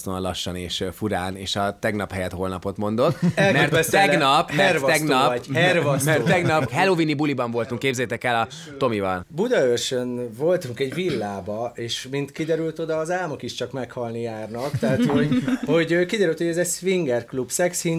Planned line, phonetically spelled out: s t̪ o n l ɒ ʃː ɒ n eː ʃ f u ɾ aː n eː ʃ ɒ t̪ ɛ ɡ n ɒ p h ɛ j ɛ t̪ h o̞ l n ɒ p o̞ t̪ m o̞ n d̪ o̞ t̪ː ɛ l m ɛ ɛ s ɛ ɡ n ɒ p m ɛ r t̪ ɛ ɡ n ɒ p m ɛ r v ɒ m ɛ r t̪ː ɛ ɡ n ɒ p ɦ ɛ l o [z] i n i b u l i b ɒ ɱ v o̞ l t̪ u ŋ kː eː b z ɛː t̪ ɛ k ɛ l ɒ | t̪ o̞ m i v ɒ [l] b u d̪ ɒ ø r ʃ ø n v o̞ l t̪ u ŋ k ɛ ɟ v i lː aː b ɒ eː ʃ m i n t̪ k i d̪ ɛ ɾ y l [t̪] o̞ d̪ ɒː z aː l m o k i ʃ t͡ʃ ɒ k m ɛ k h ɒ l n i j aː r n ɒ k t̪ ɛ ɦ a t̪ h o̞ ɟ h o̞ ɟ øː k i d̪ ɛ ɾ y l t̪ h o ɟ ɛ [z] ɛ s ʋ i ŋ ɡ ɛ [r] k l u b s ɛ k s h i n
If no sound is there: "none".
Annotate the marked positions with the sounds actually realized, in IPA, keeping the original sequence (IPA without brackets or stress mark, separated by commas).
v, l, t̪, z, r